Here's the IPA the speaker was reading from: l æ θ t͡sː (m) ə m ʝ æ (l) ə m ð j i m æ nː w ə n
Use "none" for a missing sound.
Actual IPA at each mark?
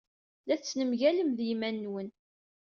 n, l

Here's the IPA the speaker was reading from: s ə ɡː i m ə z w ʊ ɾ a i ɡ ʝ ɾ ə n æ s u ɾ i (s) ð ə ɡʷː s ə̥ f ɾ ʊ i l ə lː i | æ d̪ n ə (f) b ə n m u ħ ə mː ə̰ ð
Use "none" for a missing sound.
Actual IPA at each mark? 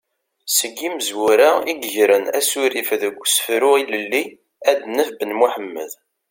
f, f

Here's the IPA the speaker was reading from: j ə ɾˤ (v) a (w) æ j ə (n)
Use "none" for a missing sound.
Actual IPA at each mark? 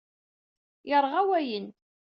ʁ, w, n

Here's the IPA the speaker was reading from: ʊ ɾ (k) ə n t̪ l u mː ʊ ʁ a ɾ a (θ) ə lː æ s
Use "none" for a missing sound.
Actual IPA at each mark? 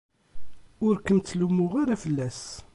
k, f

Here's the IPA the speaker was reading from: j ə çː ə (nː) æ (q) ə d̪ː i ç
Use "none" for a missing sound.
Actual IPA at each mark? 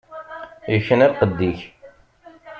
n, q

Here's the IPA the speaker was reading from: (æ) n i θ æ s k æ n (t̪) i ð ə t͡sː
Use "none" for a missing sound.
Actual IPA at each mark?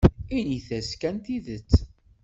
i, t̪

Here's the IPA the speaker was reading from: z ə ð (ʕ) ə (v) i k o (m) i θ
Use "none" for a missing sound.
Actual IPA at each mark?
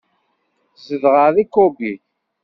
ʁ, ð, b

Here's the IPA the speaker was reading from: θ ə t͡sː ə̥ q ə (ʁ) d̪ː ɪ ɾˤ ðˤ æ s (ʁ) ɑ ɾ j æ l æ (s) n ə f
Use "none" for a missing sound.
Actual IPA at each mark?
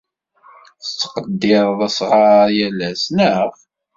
none, ʁ, s

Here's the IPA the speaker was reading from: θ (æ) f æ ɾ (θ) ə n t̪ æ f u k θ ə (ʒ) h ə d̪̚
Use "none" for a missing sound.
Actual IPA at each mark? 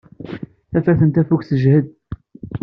æ, θ, ʒ

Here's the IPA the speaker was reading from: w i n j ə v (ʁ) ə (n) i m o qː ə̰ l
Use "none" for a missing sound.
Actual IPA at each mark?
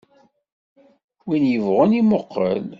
ʁ, n

